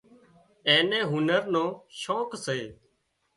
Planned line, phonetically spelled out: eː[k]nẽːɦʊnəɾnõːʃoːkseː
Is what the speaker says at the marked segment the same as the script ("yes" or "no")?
no